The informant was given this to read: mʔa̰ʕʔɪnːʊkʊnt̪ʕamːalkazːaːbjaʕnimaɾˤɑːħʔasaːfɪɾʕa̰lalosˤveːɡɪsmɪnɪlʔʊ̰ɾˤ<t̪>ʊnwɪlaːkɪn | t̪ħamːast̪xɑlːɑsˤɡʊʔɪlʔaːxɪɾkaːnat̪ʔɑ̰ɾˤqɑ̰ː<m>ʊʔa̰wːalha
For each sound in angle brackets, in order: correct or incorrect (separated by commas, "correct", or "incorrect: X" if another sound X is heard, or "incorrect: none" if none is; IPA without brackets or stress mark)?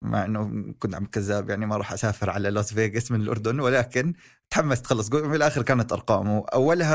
incorrect: d̪, correct